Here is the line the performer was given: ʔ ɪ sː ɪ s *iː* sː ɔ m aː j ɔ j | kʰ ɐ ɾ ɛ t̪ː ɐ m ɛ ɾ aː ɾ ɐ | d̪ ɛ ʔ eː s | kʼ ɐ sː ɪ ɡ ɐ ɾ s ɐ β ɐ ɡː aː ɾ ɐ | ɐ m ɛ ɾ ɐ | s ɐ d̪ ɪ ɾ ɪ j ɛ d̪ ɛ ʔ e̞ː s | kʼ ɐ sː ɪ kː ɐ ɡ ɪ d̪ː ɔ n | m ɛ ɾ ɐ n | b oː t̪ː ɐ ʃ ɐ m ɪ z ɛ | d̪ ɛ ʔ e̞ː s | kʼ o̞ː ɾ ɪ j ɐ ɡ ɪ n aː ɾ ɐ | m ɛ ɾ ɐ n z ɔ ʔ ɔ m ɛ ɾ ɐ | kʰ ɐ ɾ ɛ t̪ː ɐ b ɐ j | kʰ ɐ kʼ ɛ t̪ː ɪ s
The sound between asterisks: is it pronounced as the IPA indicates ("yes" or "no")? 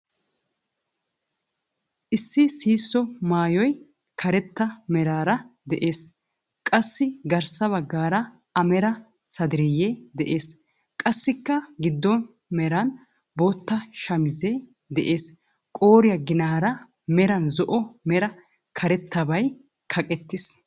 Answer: yes